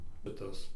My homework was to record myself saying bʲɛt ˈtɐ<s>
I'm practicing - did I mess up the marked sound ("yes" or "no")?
no